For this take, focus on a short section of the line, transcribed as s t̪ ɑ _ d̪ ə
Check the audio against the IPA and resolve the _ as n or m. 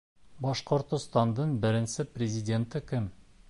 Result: n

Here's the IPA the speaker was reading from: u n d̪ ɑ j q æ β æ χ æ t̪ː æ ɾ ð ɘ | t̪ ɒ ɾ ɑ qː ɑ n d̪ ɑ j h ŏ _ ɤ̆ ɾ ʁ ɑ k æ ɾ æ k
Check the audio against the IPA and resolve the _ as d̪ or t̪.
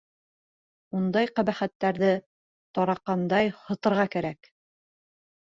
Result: t̪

